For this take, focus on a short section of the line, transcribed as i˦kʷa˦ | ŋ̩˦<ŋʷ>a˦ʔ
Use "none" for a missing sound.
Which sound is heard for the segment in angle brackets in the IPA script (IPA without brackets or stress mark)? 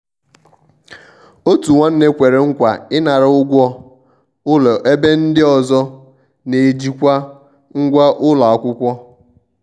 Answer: ɡʷ